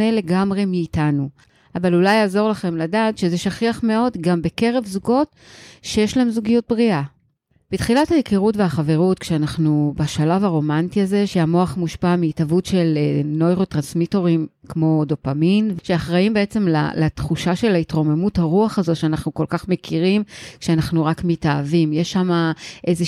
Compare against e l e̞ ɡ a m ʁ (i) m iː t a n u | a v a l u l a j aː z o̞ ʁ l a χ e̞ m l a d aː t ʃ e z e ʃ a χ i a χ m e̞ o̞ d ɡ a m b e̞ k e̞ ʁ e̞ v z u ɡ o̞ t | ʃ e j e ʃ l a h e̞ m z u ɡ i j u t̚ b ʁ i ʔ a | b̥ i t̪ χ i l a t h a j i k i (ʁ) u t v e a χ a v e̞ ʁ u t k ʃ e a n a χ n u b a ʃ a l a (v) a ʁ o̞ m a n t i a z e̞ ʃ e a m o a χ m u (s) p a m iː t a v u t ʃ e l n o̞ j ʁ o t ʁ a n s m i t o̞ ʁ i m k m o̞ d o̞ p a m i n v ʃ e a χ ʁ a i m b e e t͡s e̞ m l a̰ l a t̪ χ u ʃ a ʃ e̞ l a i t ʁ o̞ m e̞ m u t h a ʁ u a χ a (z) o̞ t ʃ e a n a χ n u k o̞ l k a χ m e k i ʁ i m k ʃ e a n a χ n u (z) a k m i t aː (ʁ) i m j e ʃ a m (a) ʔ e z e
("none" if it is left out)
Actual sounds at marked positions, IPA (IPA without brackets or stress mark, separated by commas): e, ʁ, v, ʃ, z, ʁ, v, a